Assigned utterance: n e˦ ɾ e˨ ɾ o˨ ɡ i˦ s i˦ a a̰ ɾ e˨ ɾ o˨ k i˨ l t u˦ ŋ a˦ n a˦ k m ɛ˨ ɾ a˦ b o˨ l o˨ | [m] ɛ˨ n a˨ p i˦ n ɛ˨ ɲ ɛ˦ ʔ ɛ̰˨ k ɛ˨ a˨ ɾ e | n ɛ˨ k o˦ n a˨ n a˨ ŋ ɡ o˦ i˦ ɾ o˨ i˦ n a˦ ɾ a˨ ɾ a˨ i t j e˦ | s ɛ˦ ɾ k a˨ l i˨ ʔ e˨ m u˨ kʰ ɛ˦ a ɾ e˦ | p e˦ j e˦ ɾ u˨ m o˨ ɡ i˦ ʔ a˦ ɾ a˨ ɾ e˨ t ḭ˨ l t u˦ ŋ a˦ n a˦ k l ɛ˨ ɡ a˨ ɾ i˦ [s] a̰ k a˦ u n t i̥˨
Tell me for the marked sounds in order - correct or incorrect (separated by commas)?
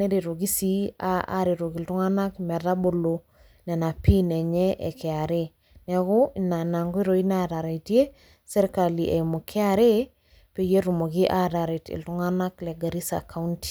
incorrect, correct